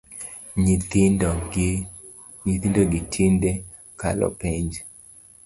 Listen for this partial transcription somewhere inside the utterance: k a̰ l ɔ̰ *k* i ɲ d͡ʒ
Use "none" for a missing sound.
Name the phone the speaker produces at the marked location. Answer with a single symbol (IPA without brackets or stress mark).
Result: p